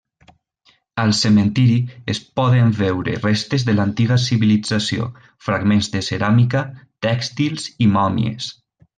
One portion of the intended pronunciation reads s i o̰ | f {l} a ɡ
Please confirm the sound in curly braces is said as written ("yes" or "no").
no